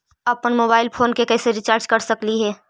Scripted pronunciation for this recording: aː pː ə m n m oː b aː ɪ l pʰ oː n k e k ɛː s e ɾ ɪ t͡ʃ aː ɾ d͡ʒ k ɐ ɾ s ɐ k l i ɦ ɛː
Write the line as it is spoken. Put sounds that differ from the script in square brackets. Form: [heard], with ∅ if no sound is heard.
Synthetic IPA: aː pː ə [∅] n m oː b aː ɪ l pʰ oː n k e k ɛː s e ɾ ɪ t͡ʃ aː ɾ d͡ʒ k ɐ ɾ s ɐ k l i ɦ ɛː